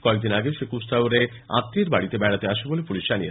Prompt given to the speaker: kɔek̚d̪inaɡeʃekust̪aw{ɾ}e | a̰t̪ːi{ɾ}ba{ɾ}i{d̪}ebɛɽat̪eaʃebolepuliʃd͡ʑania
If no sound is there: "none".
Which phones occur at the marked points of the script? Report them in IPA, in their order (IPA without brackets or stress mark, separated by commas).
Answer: ɾ, ɾ, ɽ, t̪